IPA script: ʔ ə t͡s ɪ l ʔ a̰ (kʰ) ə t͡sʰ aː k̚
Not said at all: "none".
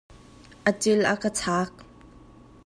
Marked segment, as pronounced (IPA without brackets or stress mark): k